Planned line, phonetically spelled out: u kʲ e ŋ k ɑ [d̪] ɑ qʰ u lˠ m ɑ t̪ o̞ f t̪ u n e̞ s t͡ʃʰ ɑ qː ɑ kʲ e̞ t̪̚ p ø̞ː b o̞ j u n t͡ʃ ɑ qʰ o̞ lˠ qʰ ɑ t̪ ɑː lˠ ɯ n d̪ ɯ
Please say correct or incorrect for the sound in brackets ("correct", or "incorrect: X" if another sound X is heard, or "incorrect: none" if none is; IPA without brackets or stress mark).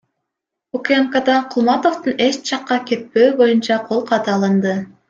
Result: correct